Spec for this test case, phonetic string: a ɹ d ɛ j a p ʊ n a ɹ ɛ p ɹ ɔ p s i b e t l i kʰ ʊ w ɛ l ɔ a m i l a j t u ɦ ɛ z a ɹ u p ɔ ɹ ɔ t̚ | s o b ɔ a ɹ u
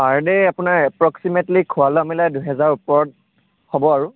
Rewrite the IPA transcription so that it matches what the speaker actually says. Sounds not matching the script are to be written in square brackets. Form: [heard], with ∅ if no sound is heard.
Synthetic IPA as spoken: a ɹ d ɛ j a p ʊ n a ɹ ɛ p ɹ ɔ [k] s i [m] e t l i kʰ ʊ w [a] l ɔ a m i l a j [d] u ɦ ɛ z a ɹ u p ɔ ɹ ɔ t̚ | [h] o b ɔ a ɹ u